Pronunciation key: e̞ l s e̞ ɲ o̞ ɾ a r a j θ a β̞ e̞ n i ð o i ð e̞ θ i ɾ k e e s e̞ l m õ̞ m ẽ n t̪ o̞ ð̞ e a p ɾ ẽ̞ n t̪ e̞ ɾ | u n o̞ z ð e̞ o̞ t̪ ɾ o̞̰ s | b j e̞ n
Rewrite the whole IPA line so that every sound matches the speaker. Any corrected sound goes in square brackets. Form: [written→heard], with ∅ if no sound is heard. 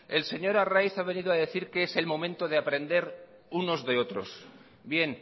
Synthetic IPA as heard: e̞ l s e̞ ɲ o̞ ɾ a r a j θ a β̞ e̞ n i ð o [i→a] ð e̞ θ i ɾ k e e s e̞ l m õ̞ m ẽ n t̪ o̞ ð̞ e a p ɾ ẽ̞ n [t̪→d̪] e̞ ɾ | u n o̞ z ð e̞ o̞ t̪ ɾ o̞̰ s | b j e̞ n